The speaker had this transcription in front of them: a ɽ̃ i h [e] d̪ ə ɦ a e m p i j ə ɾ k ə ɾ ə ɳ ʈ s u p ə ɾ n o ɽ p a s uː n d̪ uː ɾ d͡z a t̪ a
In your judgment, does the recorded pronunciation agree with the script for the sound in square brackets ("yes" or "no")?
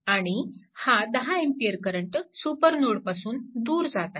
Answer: no